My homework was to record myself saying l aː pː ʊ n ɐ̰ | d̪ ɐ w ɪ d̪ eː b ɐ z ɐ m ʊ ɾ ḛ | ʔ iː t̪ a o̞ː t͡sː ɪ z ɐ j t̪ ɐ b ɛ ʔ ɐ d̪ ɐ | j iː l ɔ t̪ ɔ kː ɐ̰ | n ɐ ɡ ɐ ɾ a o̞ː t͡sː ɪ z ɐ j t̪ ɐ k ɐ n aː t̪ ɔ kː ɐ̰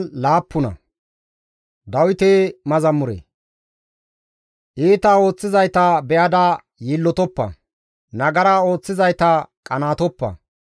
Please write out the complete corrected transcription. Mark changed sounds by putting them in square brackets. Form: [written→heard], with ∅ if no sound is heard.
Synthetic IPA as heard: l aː pː ʊ n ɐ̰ | d̪ ɐ w ɪ [d̪→t̪] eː [b→m] ɐ z ɐ m ʊ ɾ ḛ | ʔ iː t̪ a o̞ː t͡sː ɪ z ɐ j t̪ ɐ b ɛ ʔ ɐ d̪ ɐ | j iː [l→lː] ɔ t̪ ɔ [kː→pː] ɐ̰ | n ɐ ɡ ɐ ɾ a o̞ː t͡sː ɪ z ɐ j t̪ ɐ [k→kʼ] ɐ n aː t̪ ɔ [kː→pː] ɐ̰